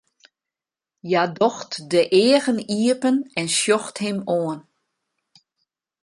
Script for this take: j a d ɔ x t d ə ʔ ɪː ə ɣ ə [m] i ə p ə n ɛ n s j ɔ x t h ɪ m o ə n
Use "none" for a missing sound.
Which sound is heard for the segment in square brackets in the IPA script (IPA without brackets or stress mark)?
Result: n